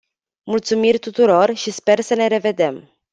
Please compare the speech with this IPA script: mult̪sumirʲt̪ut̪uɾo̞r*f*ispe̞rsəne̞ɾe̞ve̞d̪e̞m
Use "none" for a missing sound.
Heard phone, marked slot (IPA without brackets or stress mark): ʃ